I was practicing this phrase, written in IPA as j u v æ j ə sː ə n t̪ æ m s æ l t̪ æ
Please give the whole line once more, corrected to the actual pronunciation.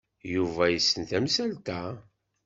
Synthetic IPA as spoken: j u v æ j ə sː ə n t̪ æ m s æ l t̪ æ

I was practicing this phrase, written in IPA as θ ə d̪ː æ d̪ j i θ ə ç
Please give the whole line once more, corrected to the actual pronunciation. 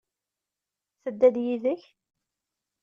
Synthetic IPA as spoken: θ ə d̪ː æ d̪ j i ð ə ç

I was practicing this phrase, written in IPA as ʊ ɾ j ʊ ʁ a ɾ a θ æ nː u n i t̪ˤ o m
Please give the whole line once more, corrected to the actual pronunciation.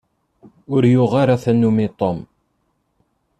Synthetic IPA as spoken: ʊ ɾ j ʊ ʁ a ɾ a θ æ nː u m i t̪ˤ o m

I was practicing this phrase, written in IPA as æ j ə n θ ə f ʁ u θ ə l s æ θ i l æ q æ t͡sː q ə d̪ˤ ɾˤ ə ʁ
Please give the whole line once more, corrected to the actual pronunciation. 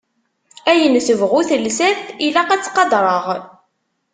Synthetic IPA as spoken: æ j ə n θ ə v ʁ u θ ə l s æ θ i l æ q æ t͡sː q ɑ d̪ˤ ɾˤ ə ʁ

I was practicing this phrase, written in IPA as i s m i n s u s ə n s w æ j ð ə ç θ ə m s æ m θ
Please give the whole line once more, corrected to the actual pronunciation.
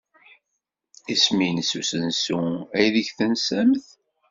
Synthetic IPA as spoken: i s m i n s u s ə n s u æ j ð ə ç θ ə n s æ m θ

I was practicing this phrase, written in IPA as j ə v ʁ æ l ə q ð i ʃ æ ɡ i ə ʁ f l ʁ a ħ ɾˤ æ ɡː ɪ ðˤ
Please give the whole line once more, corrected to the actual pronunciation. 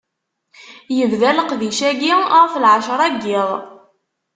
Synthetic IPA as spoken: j ə v ð æ l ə q ð i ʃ æ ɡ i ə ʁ f l ʕ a ʃ ɾˤ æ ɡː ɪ ðˤ

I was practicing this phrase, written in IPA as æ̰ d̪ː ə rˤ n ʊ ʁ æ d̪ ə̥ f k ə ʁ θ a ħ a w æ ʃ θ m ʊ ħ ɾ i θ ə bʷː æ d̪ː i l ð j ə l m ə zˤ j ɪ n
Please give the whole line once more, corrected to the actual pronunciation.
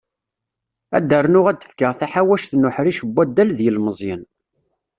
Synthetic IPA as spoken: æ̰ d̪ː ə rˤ n ʊ ʁ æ d̪ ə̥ f k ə ʁ θ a ħ a w æ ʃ θ n ʊ ħ ɾ i ʃ ə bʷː æ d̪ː æ l ð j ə l m ə zˤ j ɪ n

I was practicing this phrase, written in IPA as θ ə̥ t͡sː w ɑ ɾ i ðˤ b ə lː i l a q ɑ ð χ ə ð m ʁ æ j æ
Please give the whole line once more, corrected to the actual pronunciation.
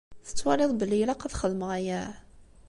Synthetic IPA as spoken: θ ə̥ t͡sː w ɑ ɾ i ðˤ b ə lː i l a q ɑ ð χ ə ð m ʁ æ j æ

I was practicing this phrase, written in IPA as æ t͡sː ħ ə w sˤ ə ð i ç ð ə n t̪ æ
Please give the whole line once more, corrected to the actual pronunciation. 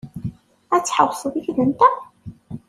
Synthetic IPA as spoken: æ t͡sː ħ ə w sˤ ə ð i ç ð ə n t̪ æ

